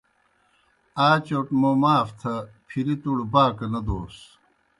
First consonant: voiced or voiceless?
voiceless